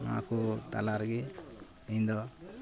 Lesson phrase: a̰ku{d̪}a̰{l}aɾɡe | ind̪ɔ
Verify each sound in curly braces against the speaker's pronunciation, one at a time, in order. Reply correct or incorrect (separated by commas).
incorrect, correct